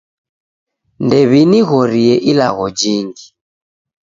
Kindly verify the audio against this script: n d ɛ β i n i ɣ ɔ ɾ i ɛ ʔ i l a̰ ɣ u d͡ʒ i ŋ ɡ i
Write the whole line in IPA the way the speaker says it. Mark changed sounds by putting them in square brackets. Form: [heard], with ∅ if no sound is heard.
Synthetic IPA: n d ɛ β i n i ɣ ɔ ɾ i ɛ ʔ i l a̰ ɣ [ɔ] d͡ʒ i ŋ ɡ i